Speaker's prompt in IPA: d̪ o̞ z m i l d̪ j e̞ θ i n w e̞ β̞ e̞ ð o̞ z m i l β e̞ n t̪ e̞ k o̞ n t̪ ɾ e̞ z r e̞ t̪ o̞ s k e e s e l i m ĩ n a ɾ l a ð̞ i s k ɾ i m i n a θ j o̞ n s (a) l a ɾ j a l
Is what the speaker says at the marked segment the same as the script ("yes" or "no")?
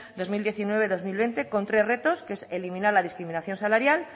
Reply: yes